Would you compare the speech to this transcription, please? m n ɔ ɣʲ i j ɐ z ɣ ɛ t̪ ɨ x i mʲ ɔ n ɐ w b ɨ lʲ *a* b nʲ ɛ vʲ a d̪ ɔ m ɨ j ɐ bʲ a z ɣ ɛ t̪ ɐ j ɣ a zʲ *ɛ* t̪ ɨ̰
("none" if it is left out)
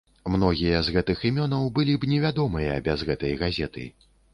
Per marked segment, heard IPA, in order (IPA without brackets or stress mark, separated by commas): i, ɛ